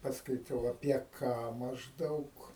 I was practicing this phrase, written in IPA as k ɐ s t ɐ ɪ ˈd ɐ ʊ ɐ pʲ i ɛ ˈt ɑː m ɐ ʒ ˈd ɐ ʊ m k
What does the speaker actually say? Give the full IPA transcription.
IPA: p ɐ s k ɐ ɪ ˈt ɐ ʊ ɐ pʲ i ɛ ˈk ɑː m ɐ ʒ ˈd ɐ ʊ k